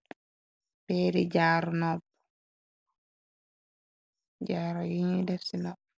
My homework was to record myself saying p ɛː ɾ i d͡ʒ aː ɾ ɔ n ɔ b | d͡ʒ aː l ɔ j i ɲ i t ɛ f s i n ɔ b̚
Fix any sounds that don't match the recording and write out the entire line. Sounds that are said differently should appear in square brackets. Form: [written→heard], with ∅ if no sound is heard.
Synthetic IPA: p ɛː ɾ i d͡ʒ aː ɾ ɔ n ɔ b | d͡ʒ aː [l→ɾ] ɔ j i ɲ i [t→d] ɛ f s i n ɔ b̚